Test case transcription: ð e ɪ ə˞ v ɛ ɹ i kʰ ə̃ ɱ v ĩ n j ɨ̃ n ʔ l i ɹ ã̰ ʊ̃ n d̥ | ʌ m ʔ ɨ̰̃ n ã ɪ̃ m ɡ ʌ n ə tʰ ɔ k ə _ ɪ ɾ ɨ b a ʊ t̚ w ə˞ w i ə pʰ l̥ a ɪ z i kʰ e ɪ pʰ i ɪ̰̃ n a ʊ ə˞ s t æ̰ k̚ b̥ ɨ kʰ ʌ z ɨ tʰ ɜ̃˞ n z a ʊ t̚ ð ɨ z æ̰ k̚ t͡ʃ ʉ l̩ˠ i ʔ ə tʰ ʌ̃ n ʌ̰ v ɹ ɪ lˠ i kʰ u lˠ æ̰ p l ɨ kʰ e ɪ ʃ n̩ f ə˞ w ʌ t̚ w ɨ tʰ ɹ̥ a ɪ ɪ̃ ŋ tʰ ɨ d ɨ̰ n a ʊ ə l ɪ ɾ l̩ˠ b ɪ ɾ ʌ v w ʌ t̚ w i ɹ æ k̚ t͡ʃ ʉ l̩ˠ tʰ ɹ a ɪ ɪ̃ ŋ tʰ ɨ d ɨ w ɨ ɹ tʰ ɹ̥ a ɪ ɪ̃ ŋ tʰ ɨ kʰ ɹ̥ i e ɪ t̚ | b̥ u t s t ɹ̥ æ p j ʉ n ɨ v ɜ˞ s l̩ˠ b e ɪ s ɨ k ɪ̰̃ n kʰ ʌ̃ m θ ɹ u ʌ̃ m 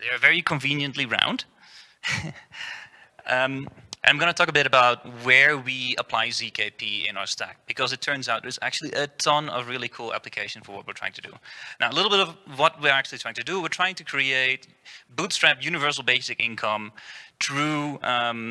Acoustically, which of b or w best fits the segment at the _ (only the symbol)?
b